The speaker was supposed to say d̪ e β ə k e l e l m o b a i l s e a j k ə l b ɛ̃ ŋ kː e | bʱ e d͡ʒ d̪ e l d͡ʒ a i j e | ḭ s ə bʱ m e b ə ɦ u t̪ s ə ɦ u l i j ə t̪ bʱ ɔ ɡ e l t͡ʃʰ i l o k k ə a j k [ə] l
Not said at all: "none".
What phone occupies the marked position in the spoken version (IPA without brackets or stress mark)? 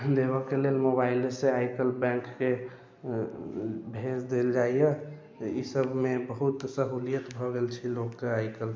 ə